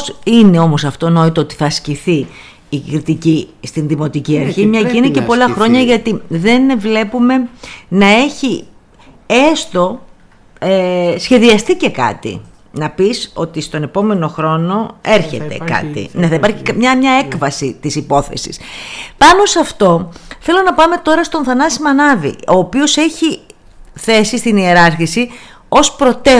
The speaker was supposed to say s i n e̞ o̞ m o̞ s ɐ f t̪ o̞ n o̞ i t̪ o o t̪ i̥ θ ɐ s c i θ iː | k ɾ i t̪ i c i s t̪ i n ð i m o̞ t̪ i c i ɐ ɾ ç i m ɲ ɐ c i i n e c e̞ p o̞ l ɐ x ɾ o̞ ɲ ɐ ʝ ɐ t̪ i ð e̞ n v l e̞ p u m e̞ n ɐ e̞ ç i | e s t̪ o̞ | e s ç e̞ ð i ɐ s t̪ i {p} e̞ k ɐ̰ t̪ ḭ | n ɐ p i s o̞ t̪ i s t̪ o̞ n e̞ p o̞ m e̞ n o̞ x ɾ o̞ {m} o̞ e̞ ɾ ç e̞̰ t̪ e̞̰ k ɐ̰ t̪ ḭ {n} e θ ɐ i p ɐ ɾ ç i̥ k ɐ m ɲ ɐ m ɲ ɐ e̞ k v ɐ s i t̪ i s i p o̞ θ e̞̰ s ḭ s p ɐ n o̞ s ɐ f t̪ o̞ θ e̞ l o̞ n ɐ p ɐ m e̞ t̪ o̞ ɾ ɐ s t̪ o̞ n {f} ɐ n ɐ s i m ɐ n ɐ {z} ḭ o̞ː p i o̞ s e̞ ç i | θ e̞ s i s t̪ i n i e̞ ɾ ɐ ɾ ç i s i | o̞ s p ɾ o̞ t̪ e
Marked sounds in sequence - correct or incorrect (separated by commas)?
incorrect, incorrect, correct, incorrect, incorrect